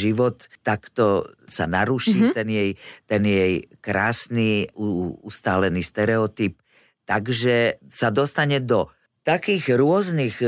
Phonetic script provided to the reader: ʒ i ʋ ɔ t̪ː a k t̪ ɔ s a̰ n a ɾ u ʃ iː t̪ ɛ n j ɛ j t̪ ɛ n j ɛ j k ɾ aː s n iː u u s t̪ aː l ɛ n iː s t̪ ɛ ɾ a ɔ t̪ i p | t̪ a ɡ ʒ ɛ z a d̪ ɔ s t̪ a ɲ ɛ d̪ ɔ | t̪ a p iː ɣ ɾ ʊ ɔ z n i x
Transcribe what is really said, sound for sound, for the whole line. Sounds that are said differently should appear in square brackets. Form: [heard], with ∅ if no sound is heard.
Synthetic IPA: ʒ i ʋ ɔ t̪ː a k t̪ ɔ s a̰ n a ɾ u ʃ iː t̪ ɛ n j ɛ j t̪ ɛ n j ɛ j k ɾ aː s n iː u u s t̪ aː l ɛ n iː s t̪ ɛ ɾ [ɛ] ɔ t̪ i p | t̪ a ɡ ʒ ɛ [s] a d̪ ɔ s t̪ a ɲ ɛ d̪ ɔ | t̪ a [k] iː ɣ ɾ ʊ ɔ z n i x